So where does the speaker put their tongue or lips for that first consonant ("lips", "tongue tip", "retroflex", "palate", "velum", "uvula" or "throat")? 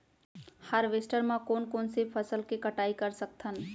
throat